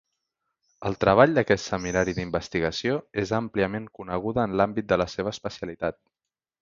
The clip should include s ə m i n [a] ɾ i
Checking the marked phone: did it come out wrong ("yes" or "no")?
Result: no